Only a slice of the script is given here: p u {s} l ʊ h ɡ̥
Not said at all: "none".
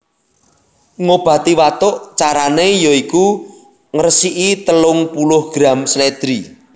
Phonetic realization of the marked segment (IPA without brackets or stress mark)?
none